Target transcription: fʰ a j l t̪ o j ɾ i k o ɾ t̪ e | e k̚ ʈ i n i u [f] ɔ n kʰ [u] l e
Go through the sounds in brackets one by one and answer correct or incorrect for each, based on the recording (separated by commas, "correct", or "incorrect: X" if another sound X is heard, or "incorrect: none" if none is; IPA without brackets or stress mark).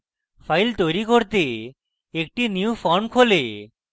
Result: correct, incorrect: o